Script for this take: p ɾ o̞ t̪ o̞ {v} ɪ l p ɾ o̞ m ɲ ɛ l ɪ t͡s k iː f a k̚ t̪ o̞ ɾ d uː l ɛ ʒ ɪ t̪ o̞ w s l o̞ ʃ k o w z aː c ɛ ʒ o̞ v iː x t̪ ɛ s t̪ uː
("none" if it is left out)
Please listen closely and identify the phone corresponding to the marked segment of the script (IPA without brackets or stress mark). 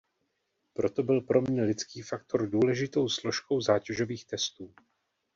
b